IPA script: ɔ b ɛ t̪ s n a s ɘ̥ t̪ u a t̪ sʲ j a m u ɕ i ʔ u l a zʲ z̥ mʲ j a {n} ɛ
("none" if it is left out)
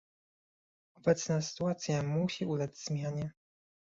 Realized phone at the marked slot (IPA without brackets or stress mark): ɲ